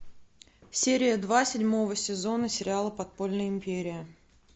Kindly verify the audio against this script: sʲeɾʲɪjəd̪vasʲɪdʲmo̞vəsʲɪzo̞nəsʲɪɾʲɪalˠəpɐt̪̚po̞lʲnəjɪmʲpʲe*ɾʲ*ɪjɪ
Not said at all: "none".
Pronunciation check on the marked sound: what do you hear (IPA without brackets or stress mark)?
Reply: ɾʲ